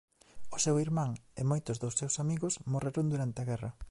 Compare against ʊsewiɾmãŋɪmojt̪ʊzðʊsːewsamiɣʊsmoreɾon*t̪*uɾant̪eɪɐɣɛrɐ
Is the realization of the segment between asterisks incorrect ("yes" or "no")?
yes